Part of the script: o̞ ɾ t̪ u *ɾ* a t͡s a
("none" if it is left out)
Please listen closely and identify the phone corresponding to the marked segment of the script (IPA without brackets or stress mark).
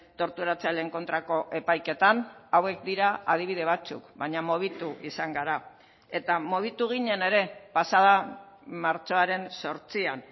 ɾ